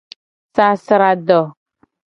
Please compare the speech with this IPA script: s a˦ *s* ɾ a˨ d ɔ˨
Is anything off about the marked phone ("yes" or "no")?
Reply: no